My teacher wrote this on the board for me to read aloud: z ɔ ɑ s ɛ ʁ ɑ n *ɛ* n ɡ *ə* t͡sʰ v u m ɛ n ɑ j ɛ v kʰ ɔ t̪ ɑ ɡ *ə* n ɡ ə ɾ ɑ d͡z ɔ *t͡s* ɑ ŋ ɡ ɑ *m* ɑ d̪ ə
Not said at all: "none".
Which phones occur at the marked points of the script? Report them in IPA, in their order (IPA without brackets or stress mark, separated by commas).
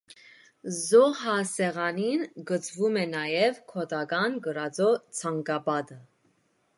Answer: i, ə, ɑ, t͡sʰ, b